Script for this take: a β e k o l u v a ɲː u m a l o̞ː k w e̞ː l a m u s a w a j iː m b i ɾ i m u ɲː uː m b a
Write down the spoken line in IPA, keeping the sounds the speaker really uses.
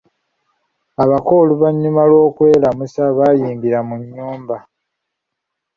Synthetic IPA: a β a k o l u β a ɲː u m a l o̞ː k w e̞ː l a m u s a β a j iː m b i ɾ a m u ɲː uː m b a